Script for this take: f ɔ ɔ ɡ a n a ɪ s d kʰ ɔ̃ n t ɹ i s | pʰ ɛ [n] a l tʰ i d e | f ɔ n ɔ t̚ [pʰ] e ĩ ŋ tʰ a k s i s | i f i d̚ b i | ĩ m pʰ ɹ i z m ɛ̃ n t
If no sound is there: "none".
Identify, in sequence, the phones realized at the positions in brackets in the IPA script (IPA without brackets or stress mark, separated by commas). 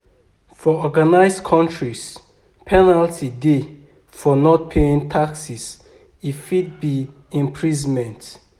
n, pʰ